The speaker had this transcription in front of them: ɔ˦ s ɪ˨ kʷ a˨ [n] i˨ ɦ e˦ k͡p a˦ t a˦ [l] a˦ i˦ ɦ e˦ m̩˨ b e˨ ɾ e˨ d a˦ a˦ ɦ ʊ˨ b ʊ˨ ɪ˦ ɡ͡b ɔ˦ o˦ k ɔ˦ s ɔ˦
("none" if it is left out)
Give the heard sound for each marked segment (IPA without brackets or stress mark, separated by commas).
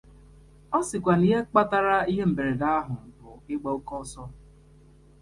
n, ɾ